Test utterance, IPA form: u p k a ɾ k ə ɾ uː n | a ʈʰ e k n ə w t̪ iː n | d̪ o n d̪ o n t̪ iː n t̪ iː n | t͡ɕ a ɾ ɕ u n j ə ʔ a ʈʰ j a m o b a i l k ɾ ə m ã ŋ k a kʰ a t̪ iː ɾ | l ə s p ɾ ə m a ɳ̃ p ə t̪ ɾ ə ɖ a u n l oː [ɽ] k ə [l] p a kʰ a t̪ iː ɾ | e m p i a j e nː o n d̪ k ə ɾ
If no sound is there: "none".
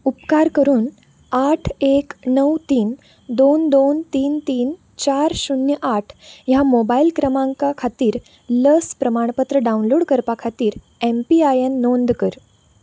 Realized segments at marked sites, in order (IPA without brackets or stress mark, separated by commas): ɽ, ɾ